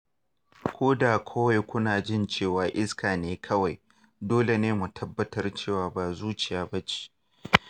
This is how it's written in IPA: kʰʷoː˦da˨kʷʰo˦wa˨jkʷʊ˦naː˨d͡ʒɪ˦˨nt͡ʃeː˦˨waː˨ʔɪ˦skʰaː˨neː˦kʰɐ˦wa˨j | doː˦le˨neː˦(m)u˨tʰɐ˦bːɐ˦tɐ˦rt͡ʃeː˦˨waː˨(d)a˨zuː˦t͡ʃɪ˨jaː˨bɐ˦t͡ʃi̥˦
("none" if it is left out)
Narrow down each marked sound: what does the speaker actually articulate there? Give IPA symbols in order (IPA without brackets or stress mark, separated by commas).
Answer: m, b